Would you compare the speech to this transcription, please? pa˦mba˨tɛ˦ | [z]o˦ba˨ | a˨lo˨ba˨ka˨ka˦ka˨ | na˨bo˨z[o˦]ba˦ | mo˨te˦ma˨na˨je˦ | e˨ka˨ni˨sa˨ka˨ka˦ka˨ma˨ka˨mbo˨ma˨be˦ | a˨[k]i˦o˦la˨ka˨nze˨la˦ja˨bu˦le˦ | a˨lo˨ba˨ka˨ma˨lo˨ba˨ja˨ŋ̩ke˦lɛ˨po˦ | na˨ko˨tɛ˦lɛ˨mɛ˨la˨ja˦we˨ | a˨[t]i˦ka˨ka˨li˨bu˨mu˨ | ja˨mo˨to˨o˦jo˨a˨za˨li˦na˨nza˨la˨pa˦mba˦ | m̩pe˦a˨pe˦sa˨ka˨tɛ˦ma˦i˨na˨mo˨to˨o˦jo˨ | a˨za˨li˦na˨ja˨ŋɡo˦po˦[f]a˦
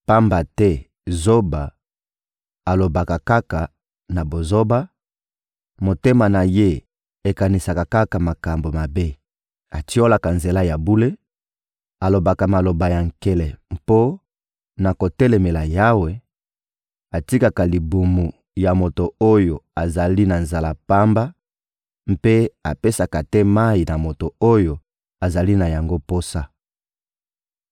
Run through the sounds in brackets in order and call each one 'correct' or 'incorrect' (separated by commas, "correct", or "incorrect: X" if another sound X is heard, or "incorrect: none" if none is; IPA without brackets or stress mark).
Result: correct, correct, incorrect: t, correct, incorrect: s